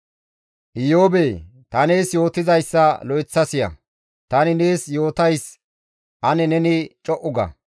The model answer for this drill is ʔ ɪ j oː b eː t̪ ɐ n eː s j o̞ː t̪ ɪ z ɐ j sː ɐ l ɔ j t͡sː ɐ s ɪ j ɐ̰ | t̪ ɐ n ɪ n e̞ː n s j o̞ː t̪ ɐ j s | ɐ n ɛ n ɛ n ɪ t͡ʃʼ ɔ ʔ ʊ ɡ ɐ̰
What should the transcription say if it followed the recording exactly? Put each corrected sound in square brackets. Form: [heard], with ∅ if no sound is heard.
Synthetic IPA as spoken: ʔ ɪ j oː b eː t̪ ɐ n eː s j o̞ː t̪ ɪ z ɐ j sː ɐ l ɔ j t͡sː ɐ s ɪ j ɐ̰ | t̪ ɐ n ɪ n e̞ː [∅] s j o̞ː t̪ ɐ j s | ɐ n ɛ n ɛ n ɪ t͡ʃʼ ɔ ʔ ʊ ɡ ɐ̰